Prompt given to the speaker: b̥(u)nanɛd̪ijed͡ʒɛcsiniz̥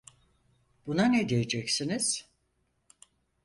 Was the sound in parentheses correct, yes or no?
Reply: yes